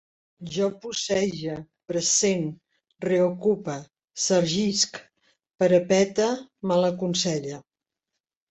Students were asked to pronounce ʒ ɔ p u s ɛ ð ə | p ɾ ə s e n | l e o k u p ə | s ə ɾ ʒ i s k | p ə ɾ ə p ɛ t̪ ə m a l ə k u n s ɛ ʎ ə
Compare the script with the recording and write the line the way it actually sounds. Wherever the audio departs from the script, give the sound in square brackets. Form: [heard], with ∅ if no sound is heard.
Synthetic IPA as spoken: ʒ ɔ p u s ɛ [ʒ] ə | p ɾ ə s e n | [r] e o k u p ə | s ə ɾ ʒ i s k | p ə ɾ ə p ɛ t̪ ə m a l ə k u n s ɛ ʎ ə